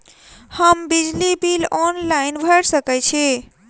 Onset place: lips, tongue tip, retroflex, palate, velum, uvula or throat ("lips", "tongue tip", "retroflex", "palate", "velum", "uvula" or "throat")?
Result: throat